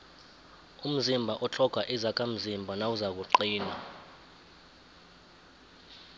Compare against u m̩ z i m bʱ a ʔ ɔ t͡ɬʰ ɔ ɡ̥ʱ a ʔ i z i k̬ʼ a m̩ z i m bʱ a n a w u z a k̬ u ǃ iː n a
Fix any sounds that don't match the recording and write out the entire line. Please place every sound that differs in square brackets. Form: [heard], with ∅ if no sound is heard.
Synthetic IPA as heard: u m̩ z i m bʱ a ʔ ɔ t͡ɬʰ ɔ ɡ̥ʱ a ʔ i z [a] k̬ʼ a m̩ z i m bʱ a n a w u z a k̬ u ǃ iː n a